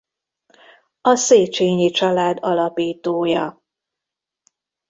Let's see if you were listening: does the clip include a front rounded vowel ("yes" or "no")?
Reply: no